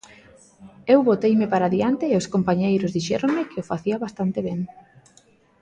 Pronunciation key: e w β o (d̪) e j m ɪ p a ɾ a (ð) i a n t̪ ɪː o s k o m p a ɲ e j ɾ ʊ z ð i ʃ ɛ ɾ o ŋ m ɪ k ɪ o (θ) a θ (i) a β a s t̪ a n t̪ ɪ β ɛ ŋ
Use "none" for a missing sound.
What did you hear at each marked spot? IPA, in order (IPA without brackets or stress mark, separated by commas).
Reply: t̪, ð, f, i